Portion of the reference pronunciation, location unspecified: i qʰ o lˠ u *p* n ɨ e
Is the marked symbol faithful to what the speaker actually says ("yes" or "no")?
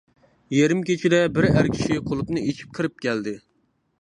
yes